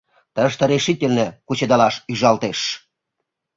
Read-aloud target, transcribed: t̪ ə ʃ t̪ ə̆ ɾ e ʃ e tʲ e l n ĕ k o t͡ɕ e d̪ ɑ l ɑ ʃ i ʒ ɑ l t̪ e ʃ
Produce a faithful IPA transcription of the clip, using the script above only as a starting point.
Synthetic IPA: t̪ ə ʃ t̪ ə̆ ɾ e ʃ i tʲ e l n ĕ k u t͡ɕ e d̪ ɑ l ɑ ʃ y ʒ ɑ l t̪ e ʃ